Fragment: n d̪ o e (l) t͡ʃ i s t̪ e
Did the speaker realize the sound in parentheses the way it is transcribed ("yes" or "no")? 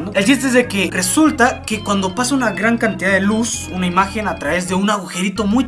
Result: yes